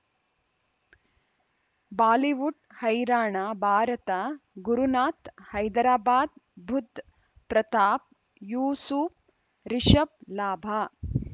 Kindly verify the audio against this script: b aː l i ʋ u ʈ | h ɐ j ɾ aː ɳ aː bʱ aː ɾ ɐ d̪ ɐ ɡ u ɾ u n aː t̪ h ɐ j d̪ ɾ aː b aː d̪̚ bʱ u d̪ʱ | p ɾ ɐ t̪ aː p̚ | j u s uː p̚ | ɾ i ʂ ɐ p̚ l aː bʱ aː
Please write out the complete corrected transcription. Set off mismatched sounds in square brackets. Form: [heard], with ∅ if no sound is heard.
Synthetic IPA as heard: b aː l i ʋ u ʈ | h ɐ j ɾ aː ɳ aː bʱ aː ɾ ɐ [t̪] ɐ ɡ u ɾ u n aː t̪ h ɐ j d̪ ɾ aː b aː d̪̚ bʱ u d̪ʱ | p ɾ ɐ t̪ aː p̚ | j [uː] s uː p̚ | ɾ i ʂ ɐ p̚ l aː bʱ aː